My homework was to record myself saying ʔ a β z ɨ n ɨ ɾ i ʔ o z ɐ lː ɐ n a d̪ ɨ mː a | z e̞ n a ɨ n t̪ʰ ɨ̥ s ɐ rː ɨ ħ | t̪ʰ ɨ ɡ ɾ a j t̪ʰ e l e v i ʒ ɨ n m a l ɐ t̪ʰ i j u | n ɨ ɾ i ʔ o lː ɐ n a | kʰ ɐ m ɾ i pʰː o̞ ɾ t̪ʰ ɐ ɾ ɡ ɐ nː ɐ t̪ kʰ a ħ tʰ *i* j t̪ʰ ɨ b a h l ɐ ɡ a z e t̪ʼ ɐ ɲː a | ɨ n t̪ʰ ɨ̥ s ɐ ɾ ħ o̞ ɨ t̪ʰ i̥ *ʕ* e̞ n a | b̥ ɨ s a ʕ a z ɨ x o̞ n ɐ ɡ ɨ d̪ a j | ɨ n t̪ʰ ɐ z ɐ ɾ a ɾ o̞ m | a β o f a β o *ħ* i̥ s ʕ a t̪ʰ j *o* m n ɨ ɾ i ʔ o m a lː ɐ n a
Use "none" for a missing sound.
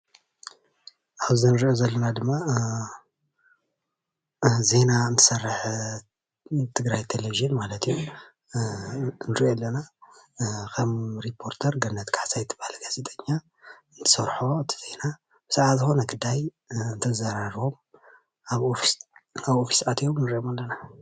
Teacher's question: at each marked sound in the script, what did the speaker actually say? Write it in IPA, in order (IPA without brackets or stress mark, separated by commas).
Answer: a, z, f, o